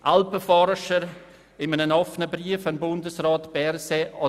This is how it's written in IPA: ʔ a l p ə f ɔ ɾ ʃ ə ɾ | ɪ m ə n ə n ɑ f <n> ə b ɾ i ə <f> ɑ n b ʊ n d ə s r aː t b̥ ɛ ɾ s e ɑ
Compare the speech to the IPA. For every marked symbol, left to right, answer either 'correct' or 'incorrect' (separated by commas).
correct, correct